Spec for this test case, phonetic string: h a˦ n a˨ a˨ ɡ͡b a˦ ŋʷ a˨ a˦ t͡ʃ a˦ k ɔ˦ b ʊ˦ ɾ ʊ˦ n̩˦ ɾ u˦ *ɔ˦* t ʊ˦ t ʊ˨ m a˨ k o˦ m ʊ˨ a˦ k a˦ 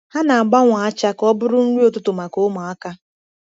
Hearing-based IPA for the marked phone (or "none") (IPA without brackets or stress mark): o˦